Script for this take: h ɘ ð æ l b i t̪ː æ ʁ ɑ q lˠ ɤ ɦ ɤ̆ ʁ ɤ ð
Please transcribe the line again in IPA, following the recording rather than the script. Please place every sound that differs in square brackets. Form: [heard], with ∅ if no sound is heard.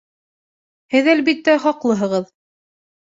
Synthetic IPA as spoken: h ɘ ð æ l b i t̪ː æ [χ] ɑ q lˠ ɤ ɦ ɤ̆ ʁ ɤ ð